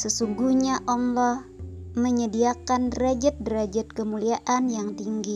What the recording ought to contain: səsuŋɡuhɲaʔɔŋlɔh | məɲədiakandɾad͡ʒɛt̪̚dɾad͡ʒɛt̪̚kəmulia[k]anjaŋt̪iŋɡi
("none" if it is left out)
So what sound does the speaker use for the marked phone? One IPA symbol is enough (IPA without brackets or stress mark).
ʔ